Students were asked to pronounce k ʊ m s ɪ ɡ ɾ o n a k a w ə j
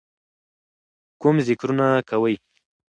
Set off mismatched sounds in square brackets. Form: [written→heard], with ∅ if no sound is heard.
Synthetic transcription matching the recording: k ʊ m [s→z] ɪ [ɡ→k] ɾ [o→u] n a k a w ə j